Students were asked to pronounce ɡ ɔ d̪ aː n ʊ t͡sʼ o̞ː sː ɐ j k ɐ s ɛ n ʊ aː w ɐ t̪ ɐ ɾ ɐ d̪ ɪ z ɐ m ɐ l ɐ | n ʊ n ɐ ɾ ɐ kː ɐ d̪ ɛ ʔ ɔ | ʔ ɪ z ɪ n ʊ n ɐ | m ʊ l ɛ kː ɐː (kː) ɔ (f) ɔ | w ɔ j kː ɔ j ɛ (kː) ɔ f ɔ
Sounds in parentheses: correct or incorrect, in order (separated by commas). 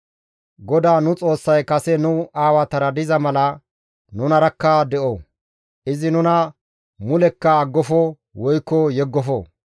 incorrect, correct, incorrect